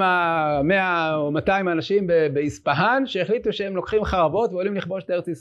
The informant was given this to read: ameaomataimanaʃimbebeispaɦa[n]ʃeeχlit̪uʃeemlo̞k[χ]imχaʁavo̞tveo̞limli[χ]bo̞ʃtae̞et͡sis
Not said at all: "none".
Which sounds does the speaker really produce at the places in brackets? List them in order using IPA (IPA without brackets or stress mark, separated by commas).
n, χ, χ